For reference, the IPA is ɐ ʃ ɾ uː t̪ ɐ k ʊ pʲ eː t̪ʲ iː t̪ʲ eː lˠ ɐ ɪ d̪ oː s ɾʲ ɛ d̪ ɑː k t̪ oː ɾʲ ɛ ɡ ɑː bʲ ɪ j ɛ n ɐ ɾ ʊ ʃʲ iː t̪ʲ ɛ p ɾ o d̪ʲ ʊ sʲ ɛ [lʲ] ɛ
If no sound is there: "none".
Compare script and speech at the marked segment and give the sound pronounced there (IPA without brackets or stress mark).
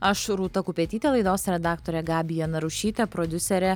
ɾʲ